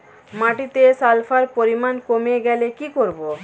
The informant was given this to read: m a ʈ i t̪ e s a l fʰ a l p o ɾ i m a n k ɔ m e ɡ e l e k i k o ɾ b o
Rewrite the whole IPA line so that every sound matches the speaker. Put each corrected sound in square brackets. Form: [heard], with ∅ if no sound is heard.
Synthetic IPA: m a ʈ i t̪ e s a l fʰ a [ɾ] p o ɾ i m a n k [o] m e ɡ [ɛ] l e k i k o ɾ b o